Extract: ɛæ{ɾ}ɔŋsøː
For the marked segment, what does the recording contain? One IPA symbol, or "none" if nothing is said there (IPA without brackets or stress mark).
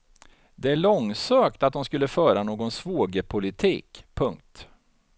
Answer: ɭ